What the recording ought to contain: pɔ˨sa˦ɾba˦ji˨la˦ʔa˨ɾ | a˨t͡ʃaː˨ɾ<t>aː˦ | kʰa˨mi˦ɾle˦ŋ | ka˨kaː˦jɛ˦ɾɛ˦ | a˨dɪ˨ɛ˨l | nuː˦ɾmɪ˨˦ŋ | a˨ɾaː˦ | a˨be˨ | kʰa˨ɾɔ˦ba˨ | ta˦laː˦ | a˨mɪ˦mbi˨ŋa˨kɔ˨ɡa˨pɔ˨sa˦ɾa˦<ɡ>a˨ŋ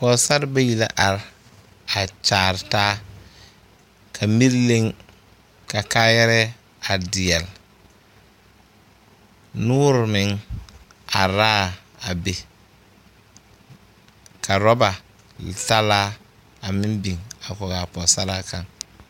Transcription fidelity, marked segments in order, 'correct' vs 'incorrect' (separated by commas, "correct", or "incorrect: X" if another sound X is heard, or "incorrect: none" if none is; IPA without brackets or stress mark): correct, incorrect: k